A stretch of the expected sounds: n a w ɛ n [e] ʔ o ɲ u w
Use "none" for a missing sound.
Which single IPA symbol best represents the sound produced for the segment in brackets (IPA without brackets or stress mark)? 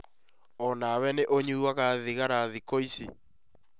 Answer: e